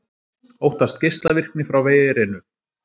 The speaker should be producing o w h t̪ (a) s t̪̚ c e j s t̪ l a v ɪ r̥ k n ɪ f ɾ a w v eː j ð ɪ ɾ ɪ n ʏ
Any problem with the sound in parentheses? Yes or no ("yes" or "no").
no